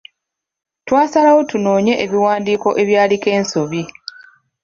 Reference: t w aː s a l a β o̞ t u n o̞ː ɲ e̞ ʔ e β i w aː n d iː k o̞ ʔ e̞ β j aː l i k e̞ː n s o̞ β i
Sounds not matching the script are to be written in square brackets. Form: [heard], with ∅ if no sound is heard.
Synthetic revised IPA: t w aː s a l a [w] o̞ t u n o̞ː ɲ e̞ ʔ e β i w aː n d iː k o̞ ʔ e̞ β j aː l i k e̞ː n s o̞ β i